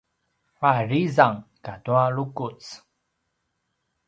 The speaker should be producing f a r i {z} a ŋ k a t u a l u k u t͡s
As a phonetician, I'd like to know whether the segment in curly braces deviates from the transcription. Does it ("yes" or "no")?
no